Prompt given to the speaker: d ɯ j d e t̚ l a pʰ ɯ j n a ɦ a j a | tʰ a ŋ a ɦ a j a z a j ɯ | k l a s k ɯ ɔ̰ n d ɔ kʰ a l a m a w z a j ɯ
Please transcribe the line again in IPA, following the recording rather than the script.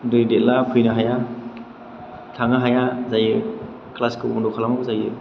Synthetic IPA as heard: d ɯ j d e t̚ l a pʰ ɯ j n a ɦ a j a | tʰ a ŋ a ɦ a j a z a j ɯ | k l a s k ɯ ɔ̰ n d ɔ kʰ a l a m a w z a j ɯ

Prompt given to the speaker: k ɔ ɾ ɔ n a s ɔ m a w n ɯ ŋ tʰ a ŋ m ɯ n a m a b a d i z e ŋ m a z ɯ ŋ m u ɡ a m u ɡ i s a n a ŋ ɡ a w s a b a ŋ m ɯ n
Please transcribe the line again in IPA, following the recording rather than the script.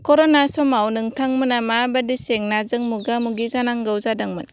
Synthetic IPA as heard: k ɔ ɾ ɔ n a s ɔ m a w n ɯ ŋ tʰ a ŋ m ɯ n a m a b a d i s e ŋ n a z ɯ ŋ m u ɡ a m u ɡ i z a n a ŋ ɡ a w z a d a ŋ m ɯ n

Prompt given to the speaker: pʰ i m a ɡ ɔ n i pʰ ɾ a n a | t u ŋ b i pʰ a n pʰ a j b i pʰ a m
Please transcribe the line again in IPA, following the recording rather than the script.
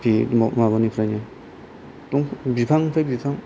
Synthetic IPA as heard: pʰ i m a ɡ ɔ n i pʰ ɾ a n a | t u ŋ b i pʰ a ŋ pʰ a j b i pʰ a ŋ

